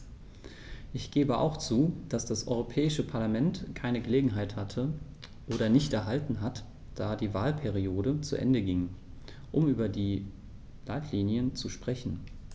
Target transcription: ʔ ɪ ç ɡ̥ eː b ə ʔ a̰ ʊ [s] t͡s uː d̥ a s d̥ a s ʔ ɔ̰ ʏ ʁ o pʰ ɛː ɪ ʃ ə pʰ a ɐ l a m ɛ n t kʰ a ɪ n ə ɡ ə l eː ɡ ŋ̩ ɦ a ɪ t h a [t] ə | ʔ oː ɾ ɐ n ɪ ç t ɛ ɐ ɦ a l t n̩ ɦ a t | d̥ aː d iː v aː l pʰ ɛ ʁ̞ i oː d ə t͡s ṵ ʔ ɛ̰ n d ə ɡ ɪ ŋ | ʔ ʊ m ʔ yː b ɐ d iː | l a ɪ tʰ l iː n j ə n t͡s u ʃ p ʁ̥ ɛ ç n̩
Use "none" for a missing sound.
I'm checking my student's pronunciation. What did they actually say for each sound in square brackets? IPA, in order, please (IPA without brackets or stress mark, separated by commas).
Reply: x, tʰ